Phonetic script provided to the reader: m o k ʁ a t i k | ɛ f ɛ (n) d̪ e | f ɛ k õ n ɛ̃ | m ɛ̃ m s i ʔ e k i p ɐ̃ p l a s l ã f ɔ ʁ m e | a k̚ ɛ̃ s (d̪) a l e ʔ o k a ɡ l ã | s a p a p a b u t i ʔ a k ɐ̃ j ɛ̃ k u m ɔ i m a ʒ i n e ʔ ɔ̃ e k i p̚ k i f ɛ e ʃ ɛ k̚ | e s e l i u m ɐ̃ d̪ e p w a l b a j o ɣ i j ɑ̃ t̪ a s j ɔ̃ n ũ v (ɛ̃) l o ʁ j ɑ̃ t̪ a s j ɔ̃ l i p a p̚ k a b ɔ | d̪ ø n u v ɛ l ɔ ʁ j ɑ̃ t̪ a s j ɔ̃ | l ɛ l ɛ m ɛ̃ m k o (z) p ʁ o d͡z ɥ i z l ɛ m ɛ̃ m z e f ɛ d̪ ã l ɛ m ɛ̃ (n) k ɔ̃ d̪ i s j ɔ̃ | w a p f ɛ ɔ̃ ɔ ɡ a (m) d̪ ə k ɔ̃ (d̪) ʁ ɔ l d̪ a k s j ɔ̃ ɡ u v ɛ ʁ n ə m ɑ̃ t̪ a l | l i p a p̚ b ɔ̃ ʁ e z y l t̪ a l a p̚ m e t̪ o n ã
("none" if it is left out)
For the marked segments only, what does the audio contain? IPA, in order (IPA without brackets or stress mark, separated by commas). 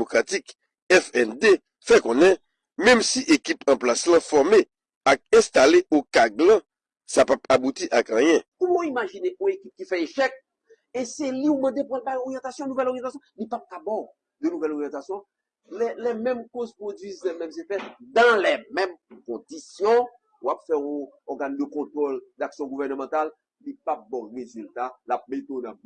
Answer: n, t̪, ɛ, z, m, n, t̪